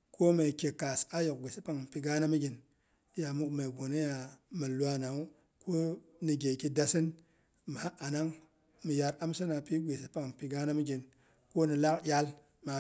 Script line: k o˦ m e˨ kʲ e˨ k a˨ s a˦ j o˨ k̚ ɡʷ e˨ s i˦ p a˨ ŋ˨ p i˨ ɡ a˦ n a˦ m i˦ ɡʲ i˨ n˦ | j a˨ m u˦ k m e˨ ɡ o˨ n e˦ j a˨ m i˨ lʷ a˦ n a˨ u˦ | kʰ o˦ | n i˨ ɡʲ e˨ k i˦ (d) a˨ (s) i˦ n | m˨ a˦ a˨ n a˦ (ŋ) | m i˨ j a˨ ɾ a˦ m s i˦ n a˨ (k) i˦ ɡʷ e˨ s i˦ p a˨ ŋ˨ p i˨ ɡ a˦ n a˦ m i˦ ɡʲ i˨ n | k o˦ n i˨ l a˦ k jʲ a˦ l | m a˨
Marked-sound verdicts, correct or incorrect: correct, correct, correct, incorrect: p

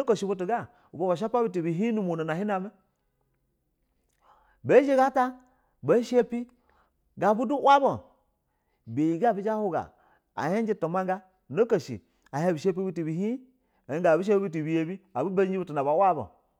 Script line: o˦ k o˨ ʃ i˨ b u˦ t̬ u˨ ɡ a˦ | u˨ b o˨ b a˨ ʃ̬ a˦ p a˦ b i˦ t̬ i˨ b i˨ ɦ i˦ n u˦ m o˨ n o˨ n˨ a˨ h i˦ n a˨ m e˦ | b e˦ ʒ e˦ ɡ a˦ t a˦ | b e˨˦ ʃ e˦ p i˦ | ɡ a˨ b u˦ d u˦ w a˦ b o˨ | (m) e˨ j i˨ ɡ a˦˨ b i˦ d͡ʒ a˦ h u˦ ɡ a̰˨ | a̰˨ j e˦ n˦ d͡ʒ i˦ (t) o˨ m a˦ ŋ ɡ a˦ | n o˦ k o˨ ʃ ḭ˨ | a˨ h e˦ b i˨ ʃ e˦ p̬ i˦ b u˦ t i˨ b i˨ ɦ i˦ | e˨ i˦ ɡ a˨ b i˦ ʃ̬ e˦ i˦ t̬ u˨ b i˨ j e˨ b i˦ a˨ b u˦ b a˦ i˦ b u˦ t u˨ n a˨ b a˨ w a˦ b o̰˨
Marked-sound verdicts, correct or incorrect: incorrect: b, correct

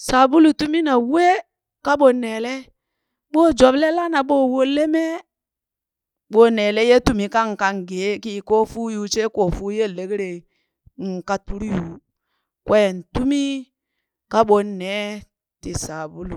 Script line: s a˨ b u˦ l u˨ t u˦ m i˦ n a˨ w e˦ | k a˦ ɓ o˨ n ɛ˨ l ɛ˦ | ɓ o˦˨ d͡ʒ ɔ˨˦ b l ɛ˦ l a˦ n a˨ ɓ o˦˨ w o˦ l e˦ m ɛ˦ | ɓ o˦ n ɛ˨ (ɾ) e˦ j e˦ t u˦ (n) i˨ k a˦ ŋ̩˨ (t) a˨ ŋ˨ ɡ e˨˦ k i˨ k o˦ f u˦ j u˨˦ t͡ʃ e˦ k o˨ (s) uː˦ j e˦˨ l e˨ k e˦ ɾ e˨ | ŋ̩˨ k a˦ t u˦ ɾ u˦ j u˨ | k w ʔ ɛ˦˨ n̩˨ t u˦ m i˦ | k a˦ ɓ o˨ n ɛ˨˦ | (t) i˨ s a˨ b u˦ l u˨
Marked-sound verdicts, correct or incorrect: incorrect: l, incorrect: m, incorrect: k, incorrect: f, correct

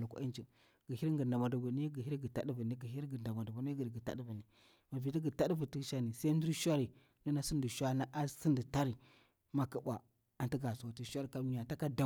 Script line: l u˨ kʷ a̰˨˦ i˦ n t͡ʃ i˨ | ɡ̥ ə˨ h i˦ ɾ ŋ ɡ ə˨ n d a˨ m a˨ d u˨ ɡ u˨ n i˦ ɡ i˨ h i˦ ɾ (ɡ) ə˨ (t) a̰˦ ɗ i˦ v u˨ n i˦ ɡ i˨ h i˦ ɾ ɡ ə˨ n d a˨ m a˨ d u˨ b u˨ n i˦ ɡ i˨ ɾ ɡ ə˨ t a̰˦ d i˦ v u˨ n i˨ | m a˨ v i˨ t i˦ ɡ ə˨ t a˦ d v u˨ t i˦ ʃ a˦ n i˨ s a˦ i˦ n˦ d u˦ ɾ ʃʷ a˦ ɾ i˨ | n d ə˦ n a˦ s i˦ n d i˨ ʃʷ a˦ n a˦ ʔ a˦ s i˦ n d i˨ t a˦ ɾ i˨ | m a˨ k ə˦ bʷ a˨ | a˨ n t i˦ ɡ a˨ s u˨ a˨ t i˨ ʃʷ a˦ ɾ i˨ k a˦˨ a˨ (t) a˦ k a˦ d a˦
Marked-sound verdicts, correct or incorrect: correct, correct, correct

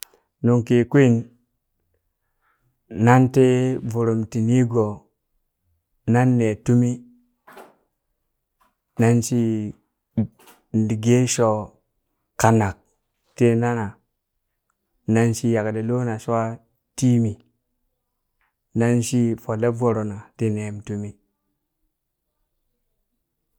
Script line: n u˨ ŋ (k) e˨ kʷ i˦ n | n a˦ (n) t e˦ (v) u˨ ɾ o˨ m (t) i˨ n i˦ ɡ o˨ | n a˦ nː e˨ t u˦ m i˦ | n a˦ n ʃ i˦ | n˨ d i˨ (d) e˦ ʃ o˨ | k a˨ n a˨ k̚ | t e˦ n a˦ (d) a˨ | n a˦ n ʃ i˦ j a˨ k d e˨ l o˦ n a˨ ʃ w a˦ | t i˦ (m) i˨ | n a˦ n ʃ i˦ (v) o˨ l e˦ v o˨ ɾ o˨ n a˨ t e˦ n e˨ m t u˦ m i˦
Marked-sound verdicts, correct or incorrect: correct, correct, correct, correct, incorrect: ɡ, incorrect: n, correct, incorrect: f

